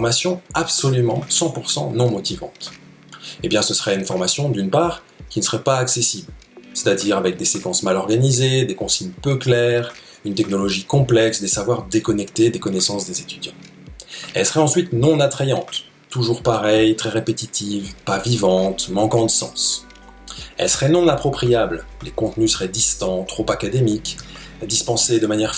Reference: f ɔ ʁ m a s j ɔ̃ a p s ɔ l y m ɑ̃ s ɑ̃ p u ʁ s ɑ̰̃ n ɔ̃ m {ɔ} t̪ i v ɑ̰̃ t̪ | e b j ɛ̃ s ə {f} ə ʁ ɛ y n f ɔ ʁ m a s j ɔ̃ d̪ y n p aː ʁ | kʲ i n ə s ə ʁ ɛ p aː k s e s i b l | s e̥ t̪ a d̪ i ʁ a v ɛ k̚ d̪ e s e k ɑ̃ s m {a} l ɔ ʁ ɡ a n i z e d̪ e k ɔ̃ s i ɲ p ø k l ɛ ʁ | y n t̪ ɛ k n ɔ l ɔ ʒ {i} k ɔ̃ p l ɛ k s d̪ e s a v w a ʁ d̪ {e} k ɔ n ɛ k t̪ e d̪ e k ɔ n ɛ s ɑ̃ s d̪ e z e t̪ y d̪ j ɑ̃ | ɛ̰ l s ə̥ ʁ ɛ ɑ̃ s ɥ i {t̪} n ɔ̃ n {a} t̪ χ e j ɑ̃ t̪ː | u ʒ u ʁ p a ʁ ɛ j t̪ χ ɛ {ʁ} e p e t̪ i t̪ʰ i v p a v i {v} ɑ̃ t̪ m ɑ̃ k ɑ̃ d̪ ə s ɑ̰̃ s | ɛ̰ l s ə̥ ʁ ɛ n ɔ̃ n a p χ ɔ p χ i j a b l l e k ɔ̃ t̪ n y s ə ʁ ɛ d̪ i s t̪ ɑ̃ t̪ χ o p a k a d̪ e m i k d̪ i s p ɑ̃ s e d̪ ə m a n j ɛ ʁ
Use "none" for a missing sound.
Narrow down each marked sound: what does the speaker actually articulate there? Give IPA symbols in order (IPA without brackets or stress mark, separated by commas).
ɔ, s, a, i, e, t̪, a, ʁ, v